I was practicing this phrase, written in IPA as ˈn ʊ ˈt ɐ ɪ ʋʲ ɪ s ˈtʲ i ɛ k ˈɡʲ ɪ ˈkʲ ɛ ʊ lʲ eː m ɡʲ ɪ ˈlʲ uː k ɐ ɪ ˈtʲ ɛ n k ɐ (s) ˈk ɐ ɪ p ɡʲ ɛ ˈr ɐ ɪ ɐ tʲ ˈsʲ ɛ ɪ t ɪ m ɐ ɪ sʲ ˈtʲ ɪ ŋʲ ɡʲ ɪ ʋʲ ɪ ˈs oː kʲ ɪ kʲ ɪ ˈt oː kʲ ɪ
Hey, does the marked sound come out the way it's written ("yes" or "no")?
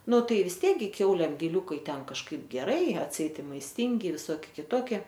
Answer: no